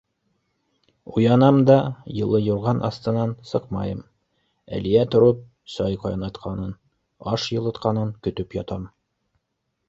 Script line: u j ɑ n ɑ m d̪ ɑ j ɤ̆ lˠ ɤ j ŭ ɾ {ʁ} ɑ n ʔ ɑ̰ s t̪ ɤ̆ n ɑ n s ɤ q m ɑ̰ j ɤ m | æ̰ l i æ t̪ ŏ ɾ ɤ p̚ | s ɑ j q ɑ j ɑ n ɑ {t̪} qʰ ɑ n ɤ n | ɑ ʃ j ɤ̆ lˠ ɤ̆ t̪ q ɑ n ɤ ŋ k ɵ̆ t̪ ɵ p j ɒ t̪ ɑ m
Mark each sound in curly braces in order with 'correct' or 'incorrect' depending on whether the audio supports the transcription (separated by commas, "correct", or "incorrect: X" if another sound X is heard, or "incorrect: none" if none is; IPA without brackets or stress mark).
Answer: correct, correct